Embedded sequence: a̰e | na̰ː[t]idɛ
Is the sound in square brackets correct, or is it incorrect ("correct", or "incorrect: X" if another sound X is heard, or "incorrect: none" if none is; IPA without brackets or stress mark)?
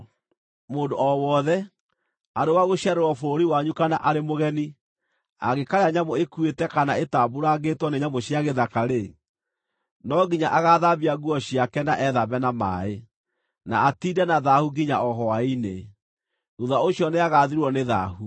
correct